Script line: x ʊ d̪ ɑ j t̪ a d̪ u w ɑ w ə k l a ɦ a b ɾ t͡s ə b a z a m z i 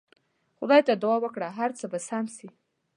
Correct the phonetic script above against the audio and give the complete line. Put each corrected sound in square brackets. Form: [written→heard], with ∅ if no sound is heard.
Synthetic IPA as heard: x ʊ d̪ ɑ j t̪ a d̪ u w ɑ w ə k [l→ɽ] a ɦ a [b→∅] ɾ t͡s ə b a [z→s] a m [z→s] i